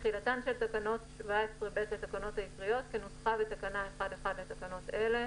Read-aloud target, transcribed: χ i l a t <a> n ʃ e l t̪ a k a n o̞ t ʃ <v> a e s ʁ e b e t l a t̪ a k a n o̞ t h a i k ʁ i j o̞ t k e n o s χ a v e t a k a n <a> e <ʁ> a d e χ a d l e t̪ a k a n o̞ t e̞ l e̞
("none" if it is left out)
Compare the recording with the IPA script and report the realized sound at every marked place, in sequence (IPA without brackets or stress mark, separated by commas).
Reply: a, v, a, χ